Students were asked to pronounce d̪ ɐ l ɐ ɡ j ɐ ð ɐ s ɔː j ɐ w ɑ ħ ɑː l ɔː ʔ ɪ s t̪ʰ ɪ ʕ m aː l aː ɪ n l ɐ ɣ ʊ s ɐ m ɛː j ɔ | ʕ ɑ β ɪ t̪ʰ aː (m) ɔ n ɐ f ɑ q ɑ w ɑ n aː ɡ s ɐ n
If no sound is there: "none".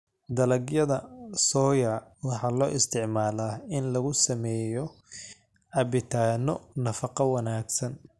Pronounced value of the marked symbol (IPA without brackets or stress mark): n